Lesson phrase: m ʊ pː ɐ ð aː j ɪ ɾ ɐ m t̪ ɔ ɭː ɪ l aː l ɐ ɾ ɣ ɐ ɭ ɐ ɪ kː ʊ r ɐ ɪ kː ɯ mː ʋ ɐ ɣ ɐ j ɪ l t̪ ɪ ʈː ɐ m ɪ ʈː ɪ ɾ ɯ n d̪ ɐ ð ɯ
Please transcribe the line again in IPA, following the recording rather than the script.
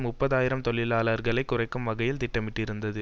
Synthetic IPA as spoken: m ʊ pː ɐ ð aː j ɪ ɾ ɐ m t̪ ɔ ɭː ɪ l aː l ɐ ɾ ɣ ɐ ɭ ɐ ɪ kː ʊ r ɐ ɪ kː ɯ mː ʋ ɐ ɣ ɐ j ɪ l t̪ ɪ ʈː ɐ m ɪ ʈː ɪ ɾ ɯ n d̪ ɐ ð ɯ